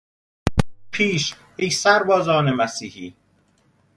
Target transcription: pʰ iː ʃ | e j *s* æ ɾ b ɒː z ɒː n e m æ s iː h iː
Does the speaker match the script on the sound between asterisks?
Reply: yes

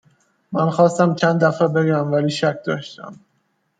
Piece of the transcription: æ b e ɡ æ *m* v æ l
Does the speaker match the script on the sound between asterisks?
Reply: yes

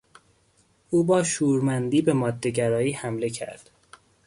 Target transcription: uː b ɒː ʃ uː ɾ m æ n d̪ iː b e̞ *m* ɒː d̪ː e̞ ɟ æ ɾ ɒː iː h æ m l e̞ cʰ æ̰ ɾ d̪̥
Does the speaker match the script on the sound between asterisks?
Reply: yes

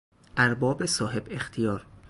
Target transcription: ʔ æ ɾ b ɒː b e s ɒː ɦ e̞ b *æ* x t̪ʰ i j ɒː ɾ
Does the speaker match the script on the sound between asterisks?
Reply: no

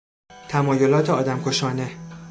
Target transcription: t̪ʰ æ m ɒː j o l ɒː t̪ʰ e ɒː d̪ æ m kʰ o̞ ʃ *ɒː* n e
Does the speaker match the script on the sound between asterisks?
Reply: yes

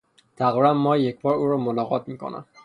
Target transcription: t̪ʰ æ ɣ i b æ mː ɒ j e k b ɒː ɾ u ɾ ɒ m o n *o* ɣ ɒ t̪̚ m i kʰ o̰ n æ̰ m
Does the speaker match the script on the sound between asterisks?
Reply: no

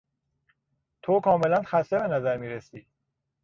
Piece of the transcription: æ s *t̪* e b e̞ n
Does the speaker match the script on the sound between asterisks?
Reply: yes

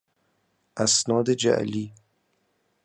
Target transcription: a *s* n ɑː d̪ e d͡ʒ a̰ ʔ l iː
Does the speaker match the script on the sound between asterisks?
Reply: yes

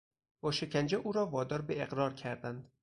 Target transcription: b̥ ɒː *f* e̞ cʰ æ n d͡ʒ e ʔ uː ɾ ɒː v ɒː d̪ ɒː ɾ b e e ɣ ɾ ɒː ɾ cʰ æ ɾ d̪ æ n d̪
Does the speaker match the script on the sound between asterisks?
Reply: no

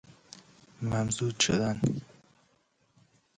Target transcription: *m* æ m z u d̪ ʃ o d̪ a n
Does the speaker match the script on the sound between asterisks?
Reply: yes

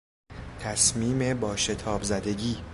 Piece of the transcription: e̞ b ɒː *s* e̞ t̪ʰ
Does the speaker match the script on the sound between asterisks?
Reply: no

